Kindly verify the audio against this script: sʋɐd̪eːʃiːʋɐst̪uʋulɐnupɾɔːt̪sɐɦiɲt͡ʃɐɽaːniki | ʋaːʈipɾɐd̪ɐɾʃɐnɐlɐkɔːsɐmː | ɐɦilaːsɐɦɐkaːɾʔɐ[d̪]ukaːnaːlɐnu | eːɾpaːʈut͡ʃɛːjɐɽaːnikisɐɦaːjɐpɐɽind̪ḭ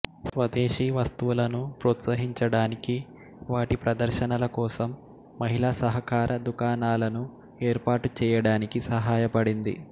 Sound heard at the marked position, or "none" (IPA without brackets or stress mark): d̪